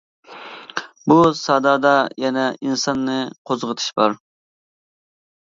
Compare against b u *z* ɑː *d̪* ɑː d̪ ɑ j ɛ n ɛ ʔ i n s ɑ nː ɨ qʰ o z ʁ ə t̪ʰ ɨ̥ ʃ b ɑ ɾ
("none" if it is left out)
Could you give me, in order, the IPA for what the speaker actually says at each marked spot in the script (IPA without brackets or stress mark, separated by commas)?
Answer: s, d̪